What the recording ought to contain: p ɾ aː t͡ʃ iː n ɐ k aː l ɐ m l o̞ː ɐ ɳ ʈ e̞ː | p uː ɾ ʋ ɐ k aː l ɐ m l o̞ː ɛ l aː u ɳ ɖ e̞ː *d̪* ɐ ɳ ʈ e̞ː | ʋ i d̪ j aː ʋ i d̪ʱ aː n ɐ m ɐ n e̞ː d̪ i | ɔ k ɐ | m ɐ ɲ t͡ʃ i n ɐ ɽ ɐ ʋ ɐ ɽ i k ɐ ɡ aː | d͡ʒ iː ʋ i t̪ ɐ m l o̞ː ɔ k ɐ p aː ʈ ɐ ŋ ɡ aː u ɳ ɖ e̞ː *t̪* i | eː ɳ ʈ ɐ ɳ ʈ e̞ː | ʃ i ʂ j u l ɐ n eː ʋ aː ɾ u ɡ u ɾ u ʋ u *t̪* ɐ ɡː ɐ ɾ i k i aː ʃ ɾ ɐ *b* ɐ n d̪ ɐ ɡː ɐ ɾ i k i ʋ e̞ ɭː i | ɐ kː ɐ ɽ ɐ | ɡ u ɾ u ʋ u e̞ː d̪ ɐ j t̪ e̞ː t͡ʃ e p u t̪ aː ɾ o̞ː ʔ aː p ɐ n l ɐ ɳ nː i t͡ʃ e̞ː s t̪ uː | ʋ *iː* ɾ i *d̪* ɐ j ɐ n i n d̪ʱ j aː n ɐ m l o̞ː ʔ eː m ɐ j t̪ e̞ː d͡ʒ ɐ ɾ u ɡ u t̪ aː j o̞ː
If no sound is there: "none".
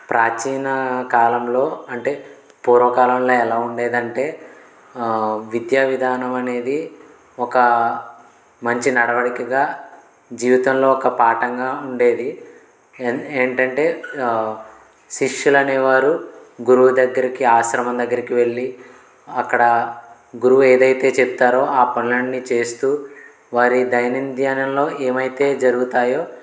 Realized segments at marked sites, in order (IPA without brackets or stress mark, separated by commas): d̪, d̪, d̪, m, aː, d̪